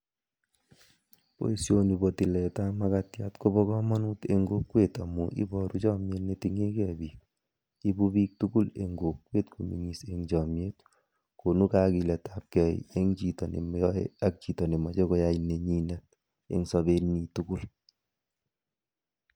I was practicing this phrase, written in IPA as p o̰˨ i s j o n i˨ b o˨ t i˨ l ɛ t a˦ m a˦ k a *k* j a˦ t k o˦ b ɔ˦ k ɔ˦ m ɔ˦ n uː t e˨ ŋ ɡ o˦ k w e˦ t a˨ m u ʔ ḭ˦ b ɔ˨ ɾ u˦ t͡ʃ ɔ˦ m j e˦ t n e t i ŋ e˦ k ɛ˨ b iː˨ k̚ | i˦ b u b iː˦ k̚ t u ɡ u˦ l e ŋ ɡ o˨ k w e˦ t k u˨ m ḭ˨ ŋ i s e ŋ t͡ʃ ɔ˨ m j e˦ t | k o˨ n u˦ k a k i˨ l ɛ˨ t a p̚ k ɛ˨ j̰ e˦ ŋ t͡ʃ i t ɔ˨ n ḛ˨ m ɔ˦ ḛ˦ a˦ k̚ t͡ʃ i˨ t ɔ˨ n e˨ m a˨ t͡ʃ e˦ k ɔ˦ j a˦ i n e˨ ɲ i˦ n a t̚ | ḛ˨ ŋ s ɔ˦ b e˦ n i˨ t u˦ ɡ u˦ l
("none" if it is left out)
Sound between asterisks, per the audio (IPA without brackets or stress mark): t